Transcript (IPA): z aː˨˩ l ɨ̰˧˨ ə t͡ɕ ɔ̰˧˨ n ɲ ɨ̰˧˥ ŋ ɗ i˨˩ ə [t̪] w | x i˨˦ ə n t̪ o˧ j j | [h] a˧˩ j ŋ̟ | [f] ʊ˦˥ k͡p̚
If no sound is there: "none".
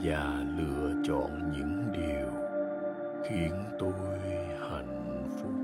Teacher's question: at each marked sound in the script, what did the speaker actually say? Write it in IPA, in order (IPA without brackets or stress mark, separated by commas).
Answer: none, h, f